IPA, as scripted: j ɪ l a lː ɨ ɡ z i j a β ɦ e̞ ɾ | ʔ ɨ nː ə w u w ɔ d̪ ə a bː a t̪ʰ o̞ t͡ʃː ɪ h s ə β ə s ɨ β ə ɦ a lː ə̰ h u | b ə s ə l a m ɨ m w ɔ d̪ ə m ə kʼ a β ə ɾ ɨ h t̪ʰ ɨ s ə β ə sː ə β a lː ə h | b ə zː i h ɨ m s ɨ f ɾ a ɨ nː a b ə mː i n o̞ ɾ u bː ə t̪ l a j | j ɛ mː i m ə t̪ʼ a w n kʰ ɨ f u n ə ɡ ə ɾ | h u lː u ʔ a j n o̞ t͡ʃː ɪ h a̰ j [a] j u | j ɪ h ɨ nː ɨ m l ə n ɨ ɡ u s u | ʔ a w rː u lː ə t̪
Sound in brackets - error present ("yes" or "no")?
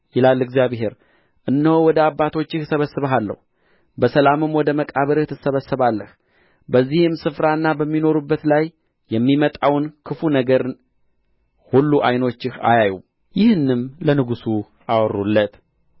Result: no